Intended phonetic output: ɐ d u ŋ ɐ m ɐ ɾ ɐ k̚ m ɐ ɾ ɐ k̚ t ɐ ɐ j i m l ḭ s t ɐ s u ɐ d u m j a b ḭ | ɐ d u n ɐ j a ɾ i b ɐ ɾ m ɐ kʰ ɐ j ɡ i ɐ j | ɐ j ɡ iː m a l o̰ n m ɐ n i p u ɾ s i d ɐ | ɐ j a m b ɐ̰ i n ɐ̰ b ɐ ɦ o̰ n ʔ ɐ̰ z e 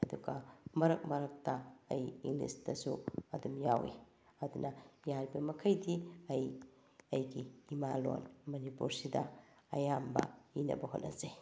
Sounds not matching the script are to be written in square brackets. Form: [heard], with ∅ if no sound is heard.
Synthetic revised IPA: ɐ d u [ɡ] ɐ m ɐ ɾ ɐ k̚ m ɐ ɾ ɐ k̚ t ɐ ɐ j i [ŋ] l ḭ s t ɐ s u ɐ d u m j a [w] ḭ | ɐ d u n ɐ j a ɾ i b ɐ [∅] m ɐ kʰ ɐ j [d] i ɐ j | ɐ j ɡ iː m a l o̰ n m ɐ n i p u ɾ s i d ɐ | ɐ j a m b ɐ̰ i n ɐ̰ b ɐ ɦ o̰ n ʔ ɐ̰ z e